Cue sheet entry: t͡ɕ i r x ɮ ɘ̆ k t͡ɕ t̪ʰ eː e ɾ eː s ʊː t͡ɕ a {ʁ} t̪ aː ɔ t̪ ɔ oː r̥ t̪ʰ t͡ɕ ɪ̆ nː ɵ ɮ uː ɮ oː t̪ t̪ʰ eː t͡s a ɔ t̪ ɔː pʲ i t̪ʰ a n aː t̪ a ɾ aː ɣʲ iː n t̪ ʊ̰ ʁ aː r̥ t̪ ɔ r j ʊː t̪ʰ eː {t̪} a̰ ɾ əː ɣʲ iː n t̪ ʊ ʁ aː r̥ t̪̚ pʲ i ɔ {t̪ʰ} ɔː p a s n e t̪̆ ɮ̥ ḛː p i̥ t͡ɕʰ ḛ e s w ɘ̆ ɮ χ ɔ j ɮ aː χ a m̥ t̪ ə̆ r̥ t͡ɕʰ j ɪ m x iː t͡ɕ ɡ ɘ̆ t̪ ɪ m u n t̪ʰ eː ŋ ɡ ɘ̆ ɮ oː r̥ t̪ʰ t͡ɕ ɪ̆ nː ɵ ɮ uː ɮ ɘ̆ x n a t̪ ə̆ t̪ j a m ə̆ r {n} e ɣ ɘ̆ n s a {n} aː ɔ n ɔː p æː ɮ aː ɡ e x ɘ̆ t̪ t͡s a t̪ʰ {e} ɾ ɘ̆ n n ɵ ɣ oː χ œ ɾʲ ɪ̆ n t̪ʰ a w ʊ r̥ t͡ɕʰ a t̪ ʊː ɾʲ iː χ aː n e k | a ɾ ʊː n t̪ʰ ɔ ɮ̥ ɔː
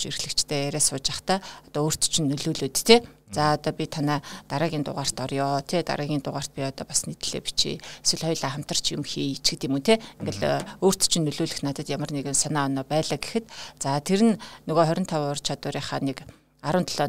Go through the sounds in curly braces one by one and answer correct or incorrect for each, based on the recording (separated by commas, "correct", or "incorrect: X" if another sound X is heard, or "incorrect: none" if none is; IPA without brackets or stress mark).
incorrect: χ, correct, incorrect: t̪, correct, correct, correct